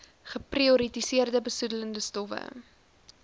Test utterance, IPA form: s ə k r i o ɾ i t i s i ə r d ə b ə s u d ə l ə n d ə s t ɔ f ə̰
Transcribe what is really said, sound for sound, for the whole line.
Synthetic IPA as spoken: χ ə p r i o ɾ i t i s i ə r d ə b ə s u d ə l ə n d ə s t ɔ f ə̰